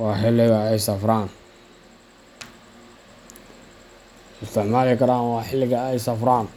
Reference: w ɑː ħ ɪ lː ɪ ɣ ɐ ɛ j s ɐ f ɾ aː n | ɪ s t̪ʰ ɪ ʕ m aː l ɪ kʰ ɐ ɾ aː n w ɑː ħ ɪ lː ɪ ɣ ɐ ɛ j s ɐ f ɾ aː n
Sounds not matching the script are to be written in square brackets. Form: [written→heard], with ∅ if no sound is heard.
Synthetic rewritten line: w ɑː ħ ɪ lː ɪ ɣ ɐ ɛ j s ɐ f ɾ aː n | ɪ s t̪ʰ ɪ ʕ m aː l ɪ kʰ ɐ ɾ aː n w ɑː ħ ɪ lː ɪ ɣ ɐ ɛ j s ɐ f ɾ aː n